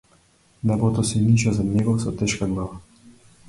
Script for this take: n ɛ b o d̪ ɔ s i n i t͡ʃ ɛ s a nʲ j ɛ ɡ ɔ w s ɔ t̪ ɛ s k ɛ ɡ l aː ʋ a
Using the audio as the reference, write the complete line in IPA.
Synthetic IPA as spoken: n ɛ b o t̪ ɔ s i n i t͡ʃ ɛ z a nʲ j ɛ ɡ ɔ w s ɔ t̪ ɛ ʃ k a ɡ l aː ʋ a

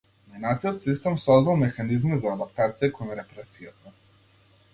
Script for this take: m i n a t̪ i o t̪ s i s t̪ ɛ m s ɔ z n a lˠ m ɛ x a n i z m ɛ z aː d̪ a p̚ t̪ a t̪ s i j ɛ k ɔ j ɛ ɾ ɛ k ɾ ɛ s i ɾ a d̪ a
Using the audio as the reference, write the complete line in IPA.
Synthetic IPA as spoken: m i n a t̪ i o t̪ s i s t̪ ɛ m s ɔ z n a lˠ m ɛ x a n i z m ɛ z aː d̪ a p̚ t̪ a t̪ s i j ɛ k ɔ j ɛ ɾ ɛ p ɾ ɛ s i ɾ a t̪ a

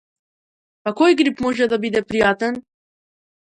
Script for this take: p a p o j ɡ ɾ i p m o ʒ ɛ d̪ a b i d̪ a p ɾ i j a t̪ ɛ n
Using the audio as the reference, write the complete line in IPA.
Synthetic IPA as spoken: p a k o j ɡ ɾ i p m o ʒ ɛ d̪ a b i d̪ ɛ p ɾ i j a t̪ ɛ n

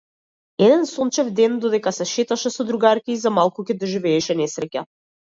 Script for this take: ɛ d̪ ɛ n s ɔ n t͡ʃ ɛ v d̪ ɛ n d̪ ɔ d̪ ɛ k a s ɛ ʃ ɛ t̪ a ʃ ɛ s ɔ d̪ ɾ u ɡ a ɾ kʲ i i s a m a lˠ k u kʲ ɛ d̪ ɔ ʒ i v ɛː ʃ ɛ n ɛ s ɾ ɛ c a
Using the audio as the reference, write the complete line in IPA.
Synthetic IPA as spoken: ɛ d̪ ɛ n s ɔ n t͡ʃ ɛ v d̪ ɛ n d̪ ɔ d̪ ɛ k a s ɛ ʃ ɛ t̪ a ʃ ɛ s ɔ d̪ ɾ u ɡ a ɾ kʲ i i z a m a lˠ k u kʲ ɛ d̪ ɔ ʒ i v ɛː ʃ ɛ n ɛ s ɾ ɛ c a

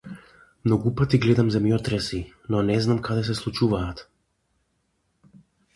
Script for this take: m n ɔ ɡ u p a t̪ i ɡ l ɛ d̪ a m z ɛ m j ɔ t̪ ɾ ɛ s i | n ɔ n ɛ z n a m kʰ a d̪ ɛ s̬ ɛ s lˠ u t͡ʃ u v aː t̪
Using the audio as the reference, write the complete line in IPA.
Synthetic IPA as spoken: m n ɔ ɡ u p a t̪ i ɡ l ɛ d̪ a m z ɛ m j ɔ t̪ ɾ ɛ s i | n ɔ n ɛ z n a m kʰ a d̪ ɛ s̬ ɛ s lˠ u t͡ʃ u v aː t̪

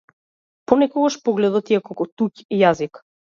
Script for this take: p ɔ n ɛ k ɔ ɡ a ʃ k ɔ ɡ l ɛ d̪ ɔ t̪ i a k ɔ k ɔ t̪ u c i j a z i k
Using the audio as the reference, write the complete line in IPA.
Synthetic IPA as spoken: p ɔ n ɛ k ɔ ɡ a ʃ p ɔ ɡ l ɛ d̪ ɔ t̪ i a k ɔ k ɔ t̪ u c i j a z i k

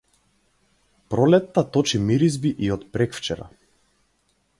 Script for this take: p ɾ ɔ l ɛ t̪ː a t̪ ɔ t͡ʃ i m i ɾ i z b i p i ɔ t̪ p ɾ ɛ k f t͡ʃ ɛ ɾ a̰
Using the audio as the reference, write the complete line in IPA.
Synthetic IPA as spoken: p ɾ ɔ l ɛ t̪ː a t̪ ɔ t͡ʃ i m i ɾ i z b i ʔ i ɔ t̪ p ɾ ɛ k f t͡ʃ ɛ ɾ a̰

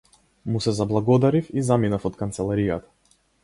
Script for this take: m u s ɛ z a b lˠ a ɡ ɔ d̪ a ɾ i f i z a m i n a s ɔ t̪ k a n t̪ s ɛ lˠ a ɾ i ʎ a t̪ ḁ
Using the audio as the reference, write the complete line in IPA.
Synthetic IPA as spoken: m u s ɛ z a b lˠ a ɡ ɔ d̪ a ɾ i f i z a m i n a f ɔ t̪ k a n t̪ s ɛ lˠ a ɾ i j a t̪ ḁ

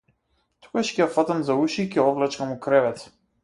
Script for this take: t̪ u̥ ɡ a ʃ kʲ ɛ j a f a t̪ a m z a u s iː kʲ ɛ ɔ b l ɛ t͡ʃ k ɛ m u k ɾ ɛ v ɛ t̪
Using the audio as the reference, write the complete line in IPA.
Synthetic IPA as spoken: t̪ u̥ ɡ a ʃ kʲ ɛ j a f a t̪ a m z a u ʃ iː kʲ ɛ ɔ v l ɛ t͡ʃ k a m u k ɾ ɛ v ɛ t̪

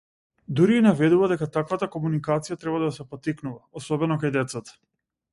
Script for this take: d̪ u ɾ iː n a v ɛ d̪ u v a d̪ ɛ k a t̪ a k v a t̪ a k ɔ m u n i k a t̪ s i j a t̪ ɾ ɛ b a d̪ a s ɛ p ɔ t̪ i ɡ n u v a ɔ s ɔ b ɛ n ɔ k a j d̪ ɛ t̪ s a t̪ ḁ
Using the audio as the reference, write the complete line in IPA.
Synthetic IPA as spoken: d̪ u ɾ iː n a v ɛ d̪ u v a d̪ ɛ k a t̪ a k v a t̪ a k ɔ m u n i k a t̪ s i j a t̪ ɾ ɛ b a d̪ a s ɛ p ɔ t̪ i k n u v a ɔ s ɔ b ɛ n ɔ k a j d̪ ɛ t̪ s a t̪ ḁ

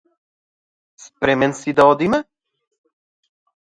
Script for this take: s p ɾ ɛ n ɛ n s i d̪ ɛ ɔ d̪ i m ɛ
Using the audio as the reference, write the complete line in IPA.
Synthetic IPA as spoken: s p ɾ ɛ m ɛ n s i d̪ a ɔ d̪ i m ɛ

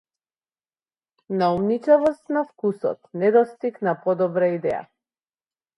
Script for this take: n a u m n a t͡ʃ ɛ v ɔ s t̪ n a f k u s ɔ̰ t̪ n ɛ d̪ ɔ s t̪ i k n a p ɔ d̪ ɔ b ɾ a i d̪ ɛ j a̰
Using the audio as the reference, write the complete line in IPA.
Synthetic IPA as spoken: n a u m n i t͡ʃ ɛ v ɔ s t̪ n a f k u s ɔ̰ t̪ n ɛ d̪ ɔ s t̪ i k n a p ɔ d̪ ɔ b ɾ a i d̪ ɛ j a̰

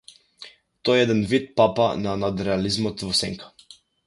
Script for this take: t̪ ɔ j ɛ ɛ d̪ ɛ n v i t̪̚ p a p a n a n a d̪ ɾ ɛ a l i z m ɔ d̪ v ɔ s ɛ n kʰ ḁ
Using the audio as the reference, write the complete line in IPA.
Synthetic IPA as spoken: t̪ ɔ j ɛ ɛ d̪ ɛ n v i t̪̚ p a p a n a n a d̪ ɾ ɛ a l i z m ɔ t̪ v ɔ s ɛ ŋ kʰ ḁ

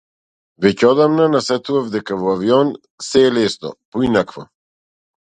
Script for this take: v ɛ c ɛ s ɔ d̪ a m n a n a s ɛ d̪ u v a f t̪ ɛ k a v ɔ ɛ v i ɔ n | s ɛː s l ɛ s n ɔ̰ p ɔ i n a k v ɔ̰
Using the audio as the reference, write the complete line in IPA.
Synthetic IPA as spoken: v ɛ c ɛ ɔ d̪ a m n a n a s ɛ t̪ u v a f d̪ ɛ k a v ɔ a v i ɔ n | s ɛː l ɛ s n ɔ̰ p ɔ i n a k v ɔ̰

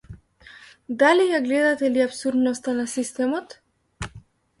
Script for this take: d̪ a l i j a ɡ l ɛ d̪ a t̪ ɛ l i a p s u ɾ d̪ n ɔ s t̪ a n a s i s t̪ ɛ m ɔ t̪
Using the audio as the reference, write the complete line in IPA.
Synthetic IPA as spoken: d̪ a l i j a ɡ l ɛ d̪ a t̪ ɛ l i a p s u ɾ d̪ n ɔ s t̪ a n a s i s t̪ ɛ m ɔ t̪

